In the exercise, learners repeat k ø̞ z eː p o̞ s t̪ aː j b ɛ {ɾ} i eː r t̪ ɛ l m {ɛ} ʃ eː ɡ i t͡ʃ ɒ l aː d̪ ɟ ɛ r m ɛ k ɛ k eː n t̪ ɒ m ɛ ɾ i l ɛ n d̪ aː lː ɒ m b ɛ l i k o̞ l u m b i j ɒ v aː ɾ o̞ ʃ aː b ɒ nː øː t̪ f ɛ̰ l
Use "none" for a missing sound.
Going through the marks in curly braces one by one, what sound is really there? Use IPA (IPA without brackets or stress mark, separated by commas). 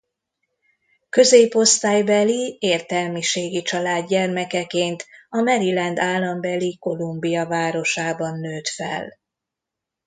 l, i